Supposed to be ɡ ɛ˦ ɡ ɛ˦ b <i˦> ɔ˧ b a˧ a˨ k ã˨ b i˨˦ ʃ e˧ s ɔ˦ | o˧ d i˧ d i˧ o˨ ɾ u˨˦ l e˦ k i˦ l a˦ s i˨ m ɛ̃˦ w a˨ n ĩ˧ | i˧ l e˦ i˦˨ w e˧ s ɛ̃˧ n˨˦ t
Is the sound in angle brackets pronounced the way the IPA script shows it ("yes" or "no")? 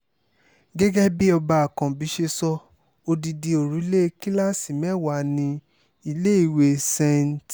yes